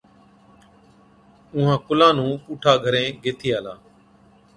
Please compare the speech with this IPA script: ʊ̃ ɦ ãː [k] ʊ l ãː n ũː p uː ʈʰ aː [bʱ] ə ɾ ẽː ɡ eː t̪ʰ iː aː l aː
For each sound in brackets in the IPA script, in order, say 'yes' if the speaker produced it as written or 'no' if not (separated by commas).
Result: yes, no